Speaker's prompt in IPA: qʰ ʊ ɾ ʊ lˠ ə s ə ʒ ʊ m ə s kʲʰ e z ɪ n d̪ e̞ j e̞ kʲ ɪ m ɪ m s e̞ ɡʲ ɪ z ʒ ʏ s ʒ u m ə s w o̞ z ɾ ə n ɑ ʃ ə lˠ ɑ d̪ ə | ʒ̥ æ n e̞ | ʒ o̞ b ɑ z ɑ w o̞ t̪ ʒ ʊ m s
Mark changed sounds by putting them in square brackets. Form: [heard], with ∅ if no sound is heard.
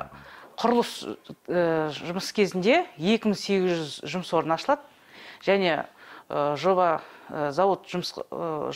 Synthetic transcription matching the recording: qʰ ʊ ɾ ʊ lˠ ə s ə ʒ ʊ m ə s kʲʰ e z ɪ n d̪ e̞ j e̞ kʲ ɪ m ɪ [ŋ] s e̞ ɡʲ ɪ z ʒ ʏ [z] ʒ [ʊ] m ə s w o̞ [∅] ɾ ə n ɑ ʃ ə lˠ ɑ d̪ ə | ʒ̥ æ n e̞ | ʒ o̞ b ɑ z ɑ w o̞ t̪ ʒ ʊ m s